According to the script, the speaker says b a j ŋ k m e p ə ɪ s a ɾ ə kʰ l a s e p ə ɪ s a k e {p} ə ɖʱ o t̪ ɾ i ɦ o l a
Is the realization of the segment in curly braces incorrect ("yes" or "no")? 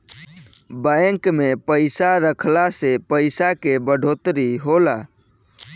yes